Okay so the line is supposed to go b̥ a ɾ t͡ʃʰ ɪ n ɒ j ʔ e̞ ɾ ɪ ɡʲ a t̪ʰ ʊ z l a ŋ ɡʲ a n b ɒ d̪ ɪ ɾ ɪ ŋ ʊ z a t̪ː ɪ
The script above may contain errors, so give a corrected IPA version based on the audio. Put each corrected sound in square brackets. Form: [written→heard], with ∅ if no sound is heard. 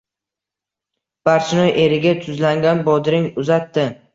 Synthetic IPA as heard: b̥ a ɾ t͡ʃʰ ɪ n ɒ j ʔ e̞ ɾ ɪ ɡʲ a t̪ʰ ʊ z l a ŋ ɡʲ a n b ɒ d̪ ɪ ɾ ɪ ŋ ʊ z a t̪ː ɪ